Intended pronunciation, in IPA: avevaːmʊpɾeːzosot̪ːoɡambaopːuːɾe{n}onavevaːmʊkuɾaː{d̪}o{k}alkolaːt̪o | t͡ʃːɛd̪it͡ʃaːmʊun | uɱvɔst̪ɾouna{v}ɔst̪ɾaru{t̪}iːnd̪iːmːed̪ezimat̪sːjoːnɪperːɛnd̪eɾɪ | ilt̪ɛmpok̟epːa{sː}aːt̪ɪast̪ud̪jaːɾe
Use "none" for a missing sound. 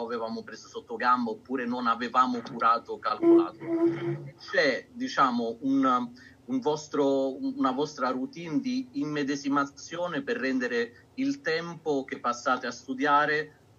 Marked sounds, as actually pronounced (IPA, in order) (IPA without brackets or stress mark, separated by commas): n, t̪, k, v, t̪, sː